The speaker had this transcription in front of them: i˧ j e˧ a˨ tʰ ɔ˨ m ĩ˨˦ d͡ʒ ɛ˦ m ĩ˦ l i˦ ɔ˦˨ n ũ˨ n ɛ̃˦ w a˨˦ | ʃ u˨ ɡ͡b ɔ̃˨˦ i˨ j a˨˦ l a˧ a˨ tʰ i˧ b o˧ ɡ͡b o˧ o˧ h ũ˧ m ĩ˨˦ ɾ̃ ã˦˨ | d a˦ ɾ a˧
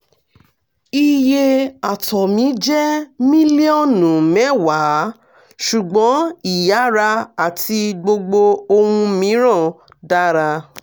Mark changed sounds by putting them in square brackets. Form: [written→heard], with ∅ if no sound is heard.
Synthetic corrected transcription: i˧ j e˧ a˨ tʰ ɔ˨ m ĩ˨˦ d͡ʒ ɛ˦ m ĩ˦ l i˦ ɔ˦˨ n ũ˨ [n→m] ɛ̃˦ w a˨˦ | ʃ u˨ ɡ͡b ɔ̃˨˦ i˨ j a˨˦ [l→ɾ] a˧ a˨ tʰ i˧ [b→ɡ͡b] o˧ ɡ͡b o˧ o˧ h ũ˧ m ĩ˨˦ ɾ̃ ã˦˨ | d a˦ ɾ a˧